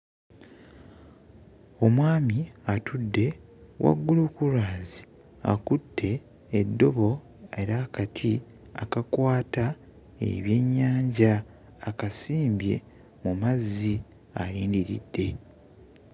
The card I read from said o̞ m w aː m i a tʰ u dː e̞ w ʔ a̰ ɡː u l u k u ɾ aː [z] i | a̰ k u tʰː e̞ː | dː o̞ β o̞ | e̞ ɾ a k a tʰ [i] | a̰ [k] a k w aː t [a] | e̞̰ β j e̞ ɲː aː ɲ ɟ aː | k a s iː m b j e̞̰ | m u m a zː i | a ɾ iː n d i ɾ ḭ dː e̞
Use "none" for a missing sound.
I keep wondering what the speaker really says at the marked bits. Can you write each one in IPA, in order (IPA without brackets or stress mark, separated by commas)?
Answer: z, i, k, a